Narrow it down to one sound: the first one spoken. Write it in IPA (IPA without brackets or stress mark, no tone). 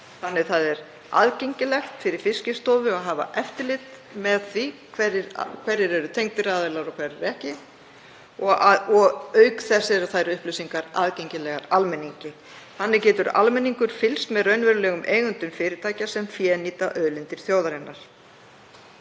θ